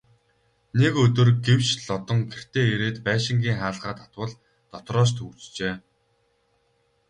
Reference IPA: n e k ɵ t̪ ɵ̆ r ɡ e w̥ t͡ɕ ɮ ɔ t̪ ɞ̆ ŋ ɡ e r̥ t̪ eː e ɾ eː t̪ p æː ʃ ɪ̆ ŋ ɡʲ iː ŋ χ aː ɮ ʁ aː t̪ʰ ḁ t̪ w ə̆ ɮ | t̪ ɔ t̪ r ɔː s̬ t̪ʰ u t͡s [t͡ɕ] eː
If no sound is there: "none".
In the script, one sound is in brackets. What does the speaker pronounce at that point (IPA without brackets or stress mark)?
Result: t͡ɕ